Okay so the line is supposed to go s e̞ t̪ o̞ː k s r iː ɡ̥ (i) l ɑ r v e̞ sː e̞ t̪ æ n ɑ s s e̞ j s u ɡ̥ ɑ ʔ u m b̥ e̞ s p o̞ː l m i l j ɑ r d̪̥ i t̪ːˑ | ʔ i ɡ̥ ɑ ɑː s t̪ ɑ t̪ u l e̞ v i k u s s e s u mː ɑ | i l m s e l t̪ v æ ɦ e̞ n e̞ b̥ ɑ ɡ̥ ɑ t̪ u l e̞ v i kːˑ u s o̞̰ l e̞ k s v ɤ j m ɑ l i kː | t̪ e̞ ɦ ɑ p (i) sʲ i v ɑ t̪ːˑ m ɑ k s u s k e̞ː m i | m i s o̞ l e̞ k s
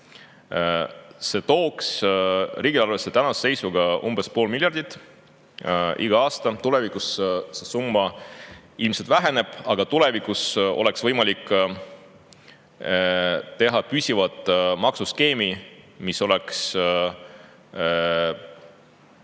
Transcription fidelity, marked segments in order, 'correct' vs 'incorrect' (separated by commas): correct, incorrect